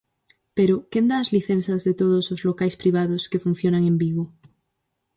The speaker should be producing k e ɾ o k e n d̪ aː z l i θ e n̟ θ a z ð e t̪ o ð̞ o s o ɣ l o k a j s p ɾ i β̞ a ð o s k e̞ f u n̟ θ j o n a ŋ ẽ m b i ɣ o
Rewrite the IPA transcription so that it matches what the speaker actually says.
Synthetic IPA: p e ɾ o k e n d̪ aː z l i θ e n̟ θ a z ð e t̪ o ð̞ o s o z l o k a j s p ɾ i β̞ a ð o s k e̞ f u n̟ θ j o n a ŋ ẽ m b i ɣ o